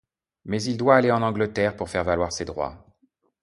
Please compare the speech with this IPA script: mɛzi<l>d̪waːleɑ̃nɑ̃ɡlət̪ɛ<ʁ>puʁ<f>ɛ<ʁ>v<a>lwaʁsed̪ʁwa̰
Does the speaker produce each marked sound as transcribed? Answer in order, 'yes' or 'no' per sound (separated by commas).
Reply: yes, yes, yes, yes, yes